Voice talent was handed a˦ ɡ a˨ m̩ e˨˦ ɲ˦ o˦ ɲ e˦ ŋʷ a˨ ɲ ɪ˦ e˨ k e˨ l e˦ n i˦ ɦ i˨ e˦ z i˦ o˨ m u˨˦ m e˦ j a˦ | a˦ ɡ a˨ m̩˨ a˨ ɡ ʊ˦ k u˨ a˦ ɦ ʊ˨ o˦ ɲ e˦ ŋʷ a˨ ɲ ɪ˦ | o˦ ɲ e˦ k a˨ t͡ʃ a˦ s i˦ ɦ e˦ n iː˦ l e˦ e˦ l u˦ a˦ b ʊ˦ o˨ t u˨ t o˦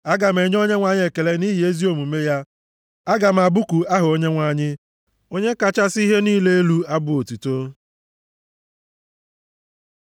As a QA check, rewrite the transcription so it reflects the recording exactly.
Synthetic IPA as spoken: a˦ ɡ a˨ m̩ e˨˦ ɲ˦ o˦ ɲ e˦ ŋʷ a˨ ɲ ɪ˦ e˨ k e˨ l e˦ n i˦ ɦ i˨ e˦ z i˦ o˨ m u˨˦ m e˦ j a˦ | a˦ ɡ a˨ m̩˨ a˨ b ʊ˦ k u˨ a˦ ɦ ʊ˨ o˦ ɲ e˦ ŋʷ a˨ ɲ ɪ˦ | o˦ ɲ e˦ k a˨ t͡ʃ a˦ s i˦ ɦ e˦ n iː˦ l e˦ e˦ l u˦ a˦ b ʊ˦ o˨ t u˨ t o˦